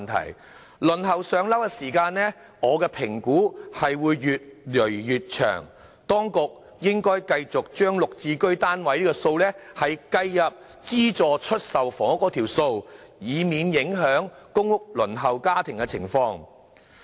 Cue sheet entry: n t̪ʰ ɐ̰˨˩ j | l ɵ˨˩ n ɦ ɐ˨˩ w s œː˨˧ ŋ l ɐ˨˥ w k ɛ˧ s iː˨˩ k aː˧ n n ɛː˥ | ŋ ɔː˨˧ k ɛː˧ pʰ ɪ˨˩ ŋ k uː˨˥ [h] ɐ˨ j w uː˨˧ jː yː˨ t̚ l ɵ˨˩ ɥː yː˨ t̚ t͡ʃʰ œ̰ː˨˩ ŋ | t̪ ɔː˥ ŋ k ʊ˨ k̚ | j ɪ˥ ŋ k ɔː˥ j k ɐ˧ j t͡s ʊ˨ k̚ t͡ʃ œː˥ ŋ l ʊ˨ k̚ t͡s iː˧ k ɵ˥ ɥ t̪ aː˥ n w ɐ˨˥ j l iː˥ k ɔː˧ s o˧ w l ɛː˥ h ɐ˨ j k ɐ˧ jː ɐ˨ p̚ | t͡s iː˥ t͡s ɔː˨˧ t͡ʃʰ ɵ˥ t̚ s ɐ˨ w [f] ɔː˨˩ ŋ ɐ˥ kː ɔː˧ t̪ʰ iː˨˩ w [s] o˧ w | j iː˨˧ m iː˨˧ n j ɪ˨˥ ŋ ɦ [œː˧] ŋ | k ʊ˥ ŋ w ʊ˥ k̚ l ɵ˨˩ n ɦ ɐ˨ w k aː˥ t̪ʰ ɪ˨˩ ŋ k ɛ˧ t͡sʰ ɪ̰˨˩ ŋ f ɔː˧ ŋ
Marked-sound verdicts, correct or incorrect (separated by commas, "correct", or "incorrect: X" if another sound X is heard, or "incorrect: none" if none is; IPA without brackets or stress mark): correct, correct, correct, incorrect: œː˨˥